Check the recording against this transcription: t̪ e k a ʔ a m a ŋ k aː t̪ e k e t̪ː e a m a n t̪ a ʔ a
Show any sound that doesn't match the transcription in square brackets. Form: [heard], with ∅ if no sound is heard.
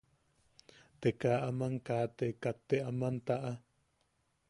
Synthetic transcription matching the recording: t̪ e k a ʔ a m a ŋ k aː t̪ e k [a] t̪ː e a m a n t̪ a ʔ a